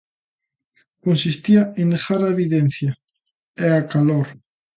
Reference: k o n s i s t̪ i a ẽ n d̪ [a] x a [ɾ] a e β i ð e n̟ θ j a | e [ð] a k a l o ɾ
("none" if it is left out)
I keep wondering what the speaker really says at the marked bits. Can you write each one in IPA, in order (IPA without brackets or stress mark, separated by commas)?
e, ɾ, none